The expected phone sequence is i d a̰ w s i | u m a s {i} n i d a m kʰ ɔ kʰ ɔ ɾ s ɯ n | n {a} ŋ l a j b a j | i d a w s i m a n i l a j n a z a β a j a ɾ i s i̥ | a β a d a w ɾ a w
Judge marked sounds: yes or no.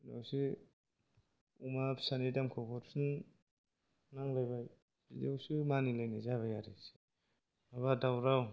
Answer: no, yes

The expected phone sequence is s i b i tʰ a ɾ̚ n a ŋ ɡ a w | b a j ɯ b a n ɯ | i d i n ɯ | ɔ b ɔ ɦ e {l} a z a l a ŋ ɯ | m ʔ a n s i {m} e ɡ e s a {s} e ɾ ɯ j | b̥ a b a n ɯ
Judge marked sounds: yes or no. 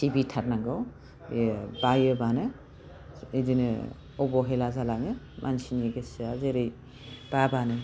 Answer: yes, no, no

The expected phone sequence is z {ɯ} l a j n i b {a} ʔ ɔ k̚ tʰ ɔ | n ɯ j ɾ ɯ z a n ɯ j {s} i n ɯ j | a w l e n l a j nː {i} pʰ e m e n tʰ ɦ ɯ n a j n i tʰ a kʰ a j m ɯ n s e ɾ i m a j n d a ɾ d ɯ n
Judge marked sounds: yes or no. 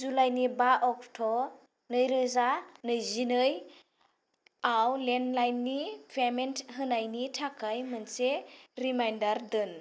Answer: no, yes, no, yes

